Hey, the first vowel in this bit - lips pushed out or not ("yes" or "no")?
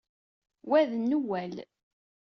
no